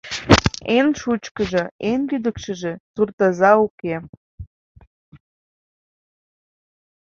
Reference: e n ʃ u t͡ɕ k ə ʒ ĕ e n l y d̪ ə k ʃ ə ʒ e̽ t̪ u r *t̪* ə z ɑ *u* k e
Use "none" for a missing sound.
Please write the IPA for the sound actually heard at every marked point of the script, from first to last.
t̪, u

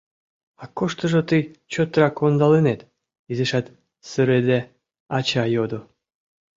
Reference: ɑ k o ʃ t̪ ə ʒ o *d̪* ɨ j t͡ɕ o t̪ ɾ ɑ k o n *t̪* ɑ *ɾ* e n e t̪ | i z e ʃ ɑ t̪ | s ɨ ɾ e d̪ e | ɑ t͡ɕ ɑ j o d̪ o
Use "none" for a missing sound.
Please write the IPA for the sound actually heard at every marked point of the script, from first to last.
t̪, d̪, l

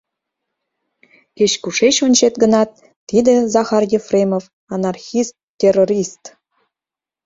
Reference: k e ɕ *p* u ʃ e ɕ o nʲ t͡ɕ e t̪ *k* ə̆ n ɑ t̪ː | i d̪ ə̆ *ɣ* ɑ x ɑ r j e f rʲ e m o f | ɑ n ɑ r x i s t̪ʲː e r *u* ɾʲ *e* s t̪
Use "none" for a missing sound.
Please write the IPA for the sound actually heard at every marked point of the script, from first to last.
k, ɡ, z, o, i

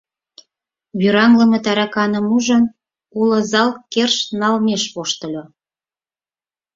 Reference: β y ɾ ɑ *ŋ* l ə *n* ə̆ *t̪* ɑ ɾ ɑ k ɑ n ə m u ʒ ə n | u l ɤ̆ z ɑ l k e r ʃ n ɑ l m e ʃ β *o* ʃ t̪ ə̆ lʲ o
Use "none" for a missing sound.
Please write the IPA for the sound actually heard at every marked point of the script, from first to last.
ŋ, m, t̪, o

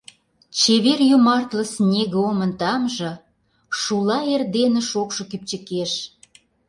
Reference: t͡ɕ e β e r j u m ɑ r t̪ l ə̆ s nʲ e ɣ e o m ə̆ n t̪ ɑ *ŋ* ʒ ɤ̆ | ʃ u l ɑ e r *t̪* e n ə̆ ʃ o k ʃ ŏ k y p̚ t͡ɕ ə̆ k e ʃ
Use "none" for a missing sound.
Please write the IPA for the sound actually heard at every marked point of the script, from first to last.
m, d̪

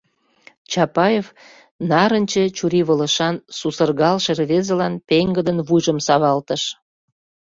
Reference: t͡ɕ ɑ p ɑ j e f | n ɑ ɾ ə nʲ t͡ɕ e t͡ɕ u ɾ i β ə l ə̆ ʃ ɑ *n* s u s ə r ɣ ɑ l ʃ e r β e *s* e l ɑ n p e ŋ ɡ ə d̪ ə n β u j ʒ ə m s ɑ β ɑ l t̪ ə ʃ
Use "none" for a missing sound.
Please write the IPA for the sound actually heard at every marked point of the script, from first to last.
n, z

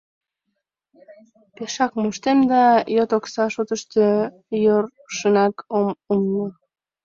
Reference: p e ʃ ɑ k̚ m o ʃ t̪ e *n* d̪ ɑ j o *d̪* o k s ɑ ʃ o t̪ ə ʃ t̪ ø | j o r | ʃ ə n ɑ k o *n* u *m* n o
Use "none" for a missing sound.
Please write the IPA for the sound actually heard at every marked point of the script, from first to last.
m, t̪, m, m

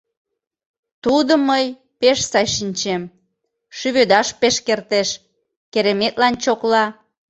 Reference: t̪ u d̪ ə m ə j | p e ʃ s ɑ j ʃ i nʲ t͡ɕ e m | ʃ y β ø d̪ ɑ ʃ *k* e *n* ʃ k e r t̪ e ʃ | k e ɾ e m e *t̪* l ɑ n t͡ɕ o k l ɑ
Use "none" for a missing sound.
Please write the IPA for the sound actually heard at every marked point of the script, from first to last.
p, none, t̪

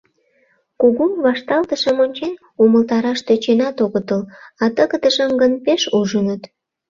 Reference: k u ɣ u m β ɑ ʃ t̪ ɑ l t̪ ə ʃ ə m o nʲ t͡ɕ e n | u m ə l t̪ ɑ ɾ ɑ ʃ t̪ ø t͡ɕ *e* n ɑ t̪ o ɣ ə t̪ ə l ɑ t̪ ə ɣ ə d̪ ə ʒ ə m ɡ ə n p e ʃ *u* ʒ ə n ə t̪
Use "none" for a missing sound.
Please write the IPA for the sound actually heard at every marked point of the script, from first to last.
e, u

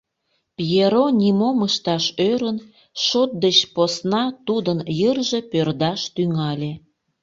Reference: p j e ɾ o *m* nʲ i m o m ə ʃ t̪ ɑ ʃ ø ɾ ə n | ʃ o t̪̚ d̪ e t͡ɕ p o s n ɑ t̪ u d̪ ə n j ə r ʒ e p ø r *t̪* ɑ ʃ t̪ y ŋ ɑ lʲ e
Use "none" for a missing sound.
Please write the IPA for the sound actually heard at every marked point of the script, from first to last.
none, d̪

